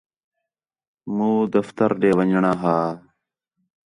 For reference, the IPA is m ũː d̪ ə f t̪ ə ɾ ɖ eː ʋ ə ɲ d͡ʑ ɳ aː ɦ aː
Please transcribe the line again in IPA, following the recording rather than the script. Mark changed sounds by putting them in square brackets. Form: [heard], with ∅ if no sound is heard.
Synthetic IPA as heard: m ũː d̪ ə f t̪ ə ɾ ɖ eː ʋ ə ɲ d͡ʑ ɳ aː ɦ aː